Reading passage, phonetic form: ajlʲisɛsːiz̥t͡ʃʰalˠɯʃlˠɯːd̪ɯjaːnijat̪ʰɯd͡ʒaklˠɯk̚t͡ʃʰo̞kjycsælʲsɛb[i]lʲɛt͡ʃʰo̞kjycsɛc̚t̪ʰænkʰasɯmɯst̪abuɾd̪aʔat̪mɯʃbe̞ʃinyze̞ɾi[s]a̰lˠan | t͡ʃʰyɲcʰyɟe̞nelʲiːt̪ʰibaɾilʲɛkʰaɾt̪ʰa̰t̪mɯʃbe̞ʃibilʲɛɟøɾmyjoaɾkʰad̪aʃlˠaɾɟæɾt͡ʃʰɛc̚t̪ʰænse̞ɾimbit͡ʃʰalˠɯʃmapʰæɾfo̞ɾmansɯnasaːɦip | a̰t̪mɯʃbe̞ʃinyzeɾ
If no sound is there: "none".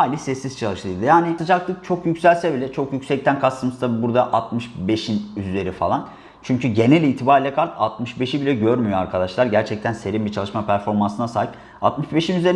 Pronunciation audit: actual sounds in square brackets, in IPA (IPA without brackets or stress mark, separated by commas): i, f